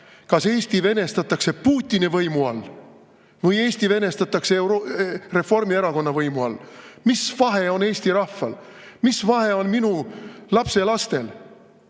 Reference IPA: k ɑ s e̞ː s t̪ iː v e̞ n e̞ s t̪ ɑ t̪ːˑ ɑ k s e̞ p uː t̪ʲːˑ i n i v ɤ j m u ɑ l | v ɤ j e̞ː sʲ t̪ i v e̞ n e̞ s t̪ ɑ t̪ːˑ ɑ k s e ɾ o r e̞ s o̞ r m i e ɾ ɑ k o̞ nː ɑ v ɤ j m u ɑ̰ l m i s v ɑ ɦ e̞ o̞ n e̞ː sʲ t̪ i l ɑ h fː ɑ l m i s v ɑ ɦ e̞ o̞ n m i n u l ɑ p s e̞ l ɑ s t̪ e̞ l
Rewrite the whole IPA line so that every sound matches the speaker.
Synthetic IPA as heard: k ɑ s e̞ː s t̪ i v e̞ n e̞ s t̪ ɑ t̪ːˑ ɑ k s e̞ p uː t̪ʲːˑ i n i v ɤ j m u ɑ l | v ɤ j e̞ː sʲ t̪ i v e̞ n e̞ s t̪ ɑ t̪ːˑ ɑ k s e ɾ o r e̞ f o̞ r m i e ɾ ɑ k o̞ nː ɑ v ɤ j m u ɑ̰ l m i s v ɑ ɦ e̞ o̞ n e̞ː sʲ t̪ i ɾ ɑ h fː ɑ l m i s v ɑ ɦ e̞ o̞ n m i n u l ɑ p s e̞ l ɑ s t̪ e̞ l